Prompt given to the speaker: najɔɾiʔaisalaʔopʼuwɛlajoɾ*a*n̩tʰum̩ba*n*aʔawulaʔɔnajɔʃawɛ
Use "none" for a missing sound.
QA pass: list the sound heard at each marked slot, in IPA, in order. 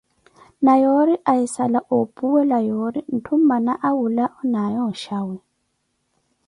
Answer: i, n

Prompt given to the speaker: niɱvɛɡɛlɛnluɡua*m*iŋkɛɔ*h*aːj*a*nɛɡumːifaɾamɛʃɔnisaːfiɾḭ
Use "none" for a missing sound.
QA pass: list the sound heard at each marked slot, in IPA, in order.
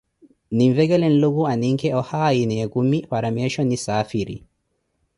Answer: n, h, i

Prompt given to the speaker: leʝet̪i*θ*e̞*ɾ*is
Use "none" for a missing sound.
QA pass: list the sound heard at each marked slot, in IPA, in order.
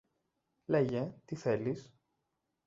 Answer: θ, l

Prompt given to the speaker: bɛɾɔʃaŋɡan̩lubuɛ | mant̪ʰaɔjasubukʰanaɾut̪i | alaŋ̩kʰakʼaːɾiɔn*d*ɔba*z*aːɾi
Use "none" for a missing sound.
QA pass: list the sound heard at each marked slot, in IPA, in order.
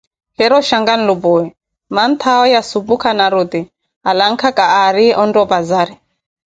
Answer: d, z

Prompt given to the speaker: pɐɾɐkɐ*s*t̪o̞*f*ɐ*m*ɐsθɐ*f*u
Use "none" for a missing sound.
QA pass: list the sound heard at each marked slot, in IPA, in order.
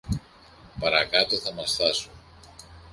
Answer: none, θ, m, s

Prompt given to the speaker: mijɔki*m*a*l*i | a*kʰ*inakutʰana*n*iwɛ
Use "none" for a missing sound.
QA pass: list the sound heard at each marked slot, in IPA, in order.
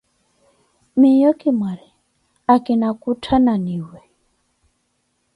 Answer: m, ɾ, k, n

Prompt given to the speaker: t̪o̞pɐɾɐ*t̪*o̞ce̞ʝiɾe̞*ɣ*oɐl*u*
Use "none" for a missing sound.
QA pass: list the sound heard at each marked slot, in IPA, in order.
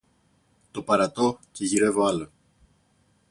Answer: t̪, v, o

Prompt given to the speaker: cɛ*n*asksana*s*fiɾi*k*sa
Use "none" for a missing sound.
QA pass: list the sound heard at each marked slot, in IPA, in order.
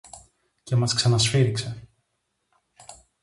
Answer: m, s, k

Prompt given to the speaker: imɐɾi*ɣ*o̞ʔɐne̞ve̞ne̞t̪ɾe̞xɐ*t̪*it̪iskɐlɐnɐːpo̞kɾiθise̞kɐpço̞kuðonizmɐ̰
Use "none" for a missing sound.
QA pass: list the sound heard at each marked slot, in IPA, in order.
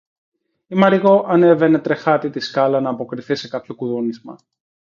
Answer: ɣ, t̪

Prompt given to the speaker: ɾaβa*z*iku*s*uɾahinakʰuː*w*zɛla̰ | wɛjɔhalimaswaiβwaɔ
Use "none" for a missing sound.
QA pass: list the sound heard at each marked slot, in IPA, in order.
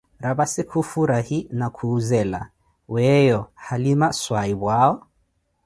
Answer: s, f, none

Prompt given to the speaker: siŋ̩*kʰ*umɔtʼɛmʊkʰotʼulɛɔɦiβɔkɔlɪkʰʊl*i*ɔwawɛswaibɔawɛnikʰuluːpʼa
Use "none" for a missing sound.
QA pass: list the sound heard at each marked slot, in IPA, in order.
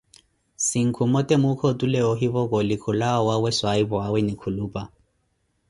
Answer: kʰ, a

